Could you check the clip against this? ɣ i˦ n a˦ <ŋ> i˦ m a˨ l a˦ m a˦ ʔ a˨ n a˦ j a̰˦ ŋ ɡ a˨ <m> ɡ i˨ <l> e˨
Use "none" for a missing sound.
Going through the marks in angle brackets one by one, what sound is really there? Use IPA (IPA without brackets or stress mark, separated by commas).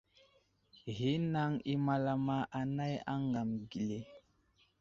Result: ŋ, m, l